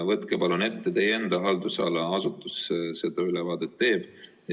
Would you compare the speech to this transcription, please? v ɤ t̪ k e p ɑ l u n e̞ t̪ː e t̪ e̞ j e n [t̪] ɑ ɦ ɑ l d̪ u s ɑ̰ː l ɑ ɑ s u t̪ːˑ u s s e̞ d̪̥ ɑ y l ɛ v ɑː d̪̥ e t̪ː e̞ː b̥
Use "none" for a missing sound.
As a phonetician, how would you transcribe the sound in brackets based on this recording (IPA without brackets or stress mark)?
d̪